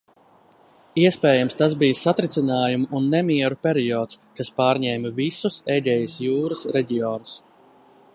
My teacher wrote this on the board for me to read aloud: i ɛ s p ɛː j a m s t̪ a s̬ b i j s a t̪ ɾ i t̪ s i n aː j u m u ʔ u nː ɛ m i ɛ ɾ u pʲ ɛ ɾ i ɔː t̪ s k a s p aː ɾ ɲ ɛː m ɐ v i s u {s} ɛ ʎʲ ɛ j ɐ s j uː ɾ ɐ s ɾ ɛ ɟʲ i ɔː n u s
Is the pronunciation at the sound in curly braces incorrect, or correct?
correct